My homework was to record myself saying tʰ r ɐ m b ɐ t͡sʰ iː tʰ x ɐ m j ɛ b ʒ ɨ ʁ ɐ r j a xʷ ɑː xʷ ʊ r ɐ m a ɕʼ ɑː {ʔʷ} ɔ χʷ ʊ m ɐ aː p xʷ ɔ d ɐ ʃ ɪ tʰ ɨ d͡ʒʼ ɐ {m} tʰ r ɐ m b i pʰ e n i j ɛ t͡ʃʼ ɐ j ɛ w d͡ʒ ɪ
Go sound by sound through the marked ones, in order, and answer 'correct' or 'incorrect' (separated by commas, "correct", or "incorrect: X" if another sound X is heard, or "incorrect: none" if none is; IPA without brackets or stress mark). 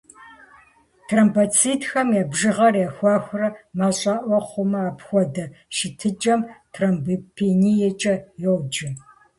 correct, correct